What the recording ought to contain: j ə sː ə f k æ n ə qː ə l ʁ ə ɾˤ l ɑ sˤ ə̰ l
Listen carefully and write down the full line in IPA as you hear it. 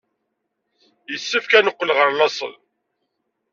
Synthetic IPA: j ə sː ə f k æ n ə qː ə l ʁ ə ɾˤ l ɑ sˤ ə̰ l